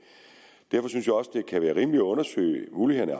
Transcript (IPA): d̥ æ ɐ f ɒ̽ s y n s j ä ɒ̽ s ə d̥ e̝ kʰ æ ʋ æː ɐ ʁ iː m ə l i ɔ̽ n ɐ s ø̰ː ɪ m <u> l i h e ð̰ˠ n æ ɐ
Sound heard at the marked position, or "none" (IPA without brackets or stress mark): uː